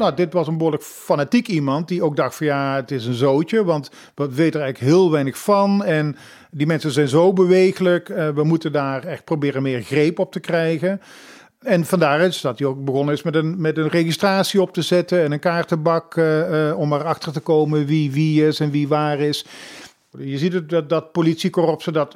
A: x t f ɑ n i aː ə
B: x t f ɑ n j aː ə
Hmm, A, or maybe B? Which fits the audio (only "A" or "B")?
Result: B